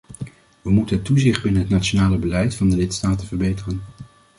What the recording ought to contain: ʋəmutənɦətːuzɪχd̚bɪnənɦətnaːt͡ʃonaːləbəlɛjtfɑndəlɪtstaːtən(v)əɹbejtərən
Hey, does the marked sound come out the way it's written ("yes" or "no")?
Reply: yes